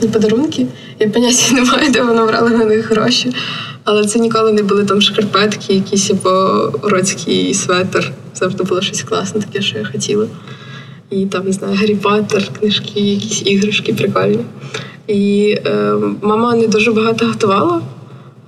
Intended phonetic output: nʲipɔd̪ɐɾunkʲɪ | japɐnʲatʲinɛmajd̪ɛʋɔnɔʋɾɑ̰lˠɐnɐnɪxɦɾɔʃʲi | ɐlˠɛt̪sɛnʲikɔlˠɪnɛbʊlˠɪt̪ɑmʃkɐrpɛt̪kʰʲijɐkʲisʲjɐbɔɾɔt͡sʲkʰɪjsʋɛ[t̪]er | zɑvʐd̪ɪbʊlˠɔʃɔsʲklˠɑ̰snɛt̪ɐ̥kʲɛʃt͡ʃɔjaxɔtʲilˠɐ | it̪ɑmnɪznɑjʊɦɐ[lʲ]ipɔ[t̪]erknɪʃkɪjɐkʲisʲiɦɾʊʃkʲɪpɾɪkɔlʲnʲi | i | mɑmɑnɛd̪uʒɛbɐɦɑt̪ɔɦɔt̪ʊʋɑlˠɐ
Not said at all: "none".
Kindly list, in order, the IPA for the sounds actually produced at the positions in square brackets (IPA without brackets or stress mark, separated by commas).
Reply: t̪, ɾʲ, t̪